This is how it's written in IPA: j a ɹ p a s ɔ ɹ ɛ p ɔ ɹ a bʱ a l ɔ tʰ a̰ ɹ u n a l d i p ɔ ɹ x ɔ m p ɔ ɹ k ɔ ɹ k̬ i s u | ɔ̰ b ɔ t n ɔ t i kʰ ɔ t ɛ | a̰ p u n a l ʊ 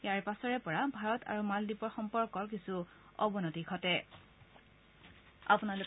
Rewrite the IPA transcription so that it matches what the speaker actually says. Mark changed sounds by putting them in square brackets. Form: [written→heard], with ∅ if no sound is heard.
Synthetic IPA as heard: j a ɹ p a s ɔ ɹ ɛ p ɔ ɹ a bʱ a [l→ɹ] ɔ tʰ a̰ ɹ u [n→m] a l d i p ɔ ɹ x ɔ m p ɔ ɹ k ɔ ɹ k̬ i s u | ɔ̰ b ɔ [t→∅] n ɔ t i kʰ ɔ t ɛ | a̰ p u n a l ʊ